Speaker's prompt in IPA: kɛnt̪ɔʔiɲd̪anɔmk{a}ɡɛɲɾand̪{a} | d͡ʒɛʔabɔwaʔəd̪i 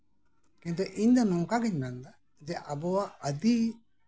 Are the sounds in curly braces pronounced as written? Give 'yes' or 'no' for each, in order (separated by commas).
yes, yes